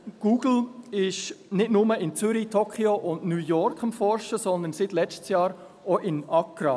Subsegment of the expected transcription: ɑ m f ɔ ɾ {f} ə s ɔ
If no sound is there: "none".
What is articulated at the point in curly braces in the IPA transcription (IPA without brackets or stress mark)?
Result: ʃ